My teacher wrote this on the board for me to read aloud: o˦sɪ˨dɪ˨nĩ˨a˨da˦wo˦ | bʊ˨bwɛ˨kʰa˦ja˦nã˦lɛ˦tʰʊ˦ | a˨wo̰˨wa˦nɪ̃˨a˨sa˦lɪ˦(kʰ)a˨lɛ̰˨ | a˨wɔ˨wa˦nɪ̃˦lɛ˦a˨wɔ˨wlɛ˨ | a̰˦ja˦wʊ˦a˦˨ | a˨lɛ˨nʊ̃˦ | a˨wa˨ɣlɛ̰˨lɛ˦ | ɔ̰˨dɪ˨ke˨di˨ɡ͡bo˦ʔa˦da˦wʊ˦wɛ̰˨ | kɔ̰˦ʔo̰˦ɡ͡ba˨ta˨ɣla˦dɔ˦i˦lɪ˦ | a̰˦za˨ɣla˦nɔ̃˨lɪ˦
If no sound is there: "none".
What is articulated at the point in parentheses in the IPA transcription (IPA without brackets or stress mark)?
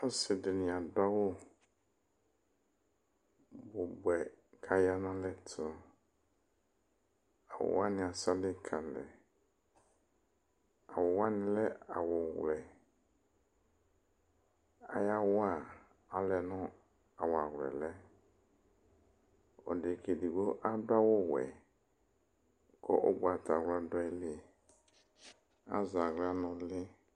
kʰ